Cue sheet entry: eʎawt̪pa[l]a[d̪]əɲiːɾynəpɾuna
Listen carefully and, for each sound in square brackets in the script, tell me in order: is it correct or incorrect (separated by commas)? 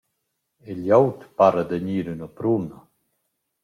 incorrect, correct